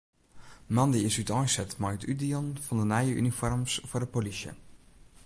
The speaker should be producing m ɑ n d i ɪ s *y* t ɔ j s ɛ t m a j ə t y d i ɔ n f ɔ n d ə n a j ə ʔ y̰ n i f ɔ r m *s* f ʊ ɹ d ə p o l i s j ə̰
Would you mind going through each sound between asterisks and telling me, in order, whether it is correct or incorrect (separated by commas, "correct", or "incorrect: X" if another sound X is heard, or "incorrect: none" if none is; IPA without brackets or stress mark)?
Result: correct, correct